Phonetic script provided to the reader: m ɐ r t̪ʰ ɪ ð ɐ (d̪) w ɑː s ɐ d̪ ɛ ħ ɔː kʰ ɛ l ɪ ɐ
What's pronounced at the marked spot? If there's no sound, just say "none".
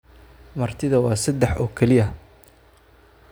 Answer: none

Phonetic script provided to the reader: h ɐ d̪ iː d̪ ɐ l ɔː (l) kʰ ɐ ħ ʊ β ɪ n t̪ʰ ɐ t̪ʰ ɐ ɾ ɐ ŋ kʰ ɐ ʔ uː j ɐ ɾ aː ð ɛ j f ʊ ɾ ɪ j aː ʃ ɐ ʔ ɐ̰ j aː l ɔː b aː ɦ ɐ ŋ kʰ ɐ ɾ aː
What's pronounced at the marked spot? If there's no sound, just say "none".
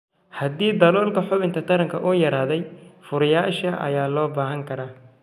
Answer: l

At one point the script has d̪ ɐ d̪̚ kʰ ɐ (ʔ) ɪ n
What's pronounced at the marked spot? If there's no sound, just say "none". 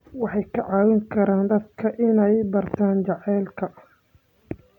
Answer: ʔ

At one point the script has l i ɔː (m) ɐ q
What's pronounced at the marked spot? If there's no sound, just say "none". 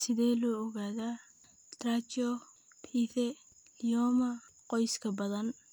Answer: m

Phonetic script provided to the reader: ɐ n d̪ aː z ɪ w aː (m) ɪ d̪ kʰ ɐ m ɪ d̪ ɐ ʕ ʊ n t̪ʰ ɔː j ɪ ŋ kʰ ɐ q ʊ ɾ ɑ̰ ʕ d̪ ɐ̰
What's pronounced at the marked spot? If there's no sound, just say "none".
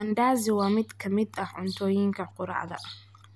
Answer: m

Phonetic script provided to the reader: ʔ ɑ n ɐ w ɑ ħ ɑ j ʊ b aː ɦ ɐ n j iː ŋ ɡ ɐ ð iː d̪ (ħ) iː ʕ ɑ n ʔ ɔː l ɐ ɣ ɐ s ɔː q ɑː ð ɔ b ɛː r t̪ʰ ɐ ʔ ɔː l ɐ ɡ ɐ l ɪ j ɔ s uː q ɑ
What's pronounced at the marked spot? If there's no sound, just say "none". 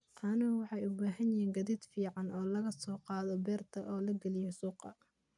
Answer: f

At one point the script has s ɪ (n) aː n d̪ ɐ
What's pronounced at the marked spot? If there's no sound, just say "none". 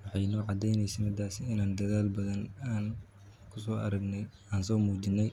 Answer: n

